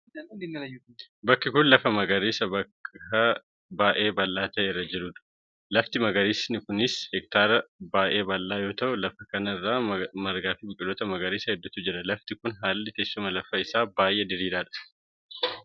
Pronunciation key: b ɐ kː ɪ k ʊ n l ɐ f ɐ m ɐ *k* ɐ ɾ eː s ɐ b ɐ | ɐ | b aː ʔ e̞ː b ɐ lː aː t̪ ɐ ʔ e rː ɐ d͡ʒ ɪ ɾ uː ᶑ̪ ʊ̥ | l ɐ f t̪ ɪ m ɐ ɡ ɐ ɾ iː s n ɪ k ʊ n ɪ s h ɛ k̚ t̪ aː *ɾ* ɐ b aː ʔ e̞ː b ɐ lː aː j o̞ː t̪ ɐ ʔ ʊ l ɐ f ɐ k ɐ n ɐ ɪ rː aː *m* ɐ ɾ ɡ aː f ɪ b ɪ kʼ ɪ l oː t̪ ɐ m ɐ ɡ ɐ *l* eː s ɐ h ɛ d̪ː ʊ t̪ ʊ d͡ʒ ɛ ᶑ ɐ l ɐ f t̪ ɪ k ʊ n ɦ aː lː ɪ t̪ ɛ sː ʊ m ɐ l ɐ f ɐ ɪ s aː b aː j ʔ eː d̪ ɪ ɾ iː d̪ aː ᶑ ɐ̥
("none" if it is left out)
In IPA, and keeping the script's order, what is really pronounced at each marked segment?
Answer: ɡ, ɾ, m, ɾ

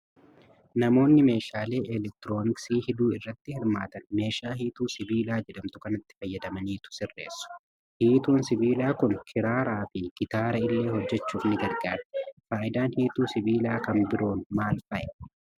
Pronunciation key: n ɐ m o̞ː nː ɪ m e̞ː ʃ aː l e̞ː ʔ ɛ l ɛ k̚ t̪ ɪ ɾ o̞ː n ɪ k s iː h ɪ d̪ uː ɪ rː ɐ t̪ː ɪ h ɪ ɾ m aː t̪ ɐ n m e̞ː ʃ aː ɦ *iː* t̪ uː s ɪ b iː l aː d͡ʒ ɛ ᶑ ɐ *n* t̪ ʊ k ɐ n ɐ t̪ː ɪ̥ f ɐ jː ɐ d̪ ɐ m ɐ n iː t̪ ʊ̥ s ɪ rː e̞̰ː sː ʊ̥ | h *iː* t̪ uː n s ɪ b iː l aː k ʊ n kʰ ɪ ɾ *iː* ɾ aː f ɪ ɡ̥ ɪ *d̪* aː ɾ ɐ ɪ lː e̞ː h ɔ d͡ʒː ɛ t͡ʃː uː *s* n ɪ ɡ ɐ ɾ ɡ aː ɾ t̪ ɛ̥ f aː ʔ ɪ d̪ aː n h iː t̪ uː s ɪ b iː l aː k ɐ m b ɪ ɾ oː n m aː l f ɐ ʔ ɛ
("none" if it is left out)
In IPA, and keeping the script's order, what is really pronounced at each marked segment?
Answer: iː, m, iː, aː, t̪, f

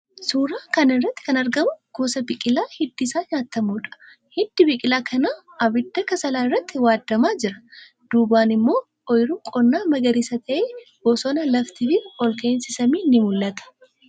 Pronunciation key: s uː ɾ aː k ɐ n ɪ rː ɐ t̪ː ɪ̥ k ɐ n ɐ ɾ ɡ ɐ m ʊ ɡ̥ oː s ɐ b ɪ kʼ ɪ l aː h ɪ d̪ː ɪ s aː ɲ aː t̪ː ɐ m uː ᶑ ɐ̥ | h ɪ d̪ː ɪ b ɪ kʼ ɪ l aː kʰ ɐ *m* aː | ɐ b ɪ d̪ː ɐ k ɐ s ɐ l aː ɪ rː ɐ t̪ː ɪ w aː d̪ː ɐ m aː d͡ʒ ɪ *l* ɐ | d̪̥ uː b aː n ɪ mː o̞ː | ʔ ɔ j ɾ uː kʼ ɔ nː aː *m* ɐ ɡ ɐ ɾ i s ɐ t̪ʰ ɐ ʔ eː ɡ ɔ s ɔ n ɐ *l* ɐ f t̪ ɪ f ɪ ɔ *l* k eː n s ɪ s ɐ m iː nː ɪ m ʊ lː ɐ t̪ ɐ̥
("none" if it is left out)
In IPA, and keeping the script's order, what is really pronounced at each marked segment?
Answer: n, ɾ, m, l, l

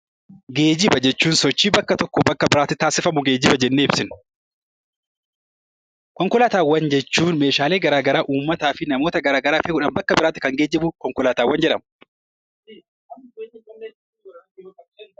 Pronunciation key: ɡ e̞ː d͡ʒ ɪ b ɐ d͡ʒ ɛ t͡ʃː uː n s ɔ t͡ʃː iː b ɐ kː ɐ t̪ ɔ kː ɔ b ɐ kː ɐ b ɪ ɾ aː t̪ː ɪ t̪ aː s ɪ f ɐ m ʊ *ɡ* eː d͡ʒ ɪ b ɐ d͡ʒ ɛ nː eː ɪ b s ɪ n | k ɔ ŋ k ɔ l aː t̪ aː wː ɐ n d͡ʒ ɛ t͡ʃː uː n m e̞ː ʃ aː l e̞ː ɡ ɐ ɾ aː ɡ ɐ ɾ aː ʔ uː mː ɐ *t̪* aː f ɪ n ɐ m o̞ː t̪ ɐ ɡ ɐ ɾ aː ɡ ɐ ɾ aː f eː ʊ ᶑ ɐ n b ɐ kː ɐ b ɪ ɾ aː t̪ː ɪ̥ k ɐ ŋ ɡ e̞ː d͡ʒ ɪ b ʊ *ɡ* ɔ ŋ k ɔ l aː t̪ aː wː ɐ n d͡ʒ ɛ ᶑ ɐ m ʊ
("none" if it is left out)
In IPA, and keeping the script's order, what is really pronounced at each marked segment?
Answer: ɡ, t̪, k

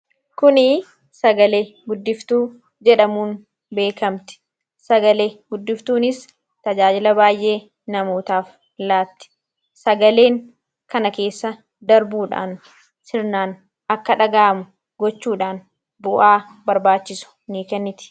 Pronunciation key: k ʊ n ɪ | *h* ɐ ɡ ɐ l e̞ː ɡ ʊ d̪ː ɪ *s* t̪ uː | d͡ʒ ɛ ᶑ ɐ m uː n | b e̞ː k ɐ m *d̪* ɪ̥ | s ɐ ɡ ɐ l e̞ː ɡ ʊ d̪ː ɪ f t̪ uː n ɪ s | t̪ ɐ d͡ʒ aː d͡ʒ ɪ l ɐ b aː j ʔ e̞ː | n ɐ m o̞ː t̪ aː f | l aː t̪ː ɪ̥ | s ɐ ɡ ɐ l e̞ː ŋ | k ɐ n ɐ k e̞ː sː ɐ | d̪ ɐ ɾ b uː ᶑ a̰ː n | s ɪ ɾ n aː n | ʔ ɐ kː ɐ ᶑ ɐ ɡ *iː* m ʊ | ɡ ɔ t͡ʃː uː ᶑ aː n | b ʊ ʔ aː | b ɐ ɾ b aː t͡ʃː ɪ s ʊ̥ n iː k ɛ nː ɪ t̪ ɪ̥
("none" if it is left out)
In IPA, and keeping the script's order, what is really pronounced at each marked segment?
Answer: s, f, t̪, aː

